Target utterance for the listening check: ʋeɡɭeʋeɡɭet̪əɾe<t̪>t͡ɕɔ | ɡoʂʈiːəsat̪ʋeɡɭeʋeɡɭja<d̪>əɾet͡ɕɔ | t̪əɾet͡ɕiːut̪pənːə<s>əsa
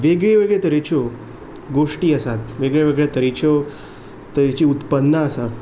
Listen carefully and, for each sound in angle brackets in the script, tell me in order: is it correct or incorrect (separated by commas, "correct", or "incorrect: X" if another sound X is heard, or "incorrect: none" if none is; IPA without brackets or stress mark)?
incorrect: none, incorrect: t̪, incorrect: none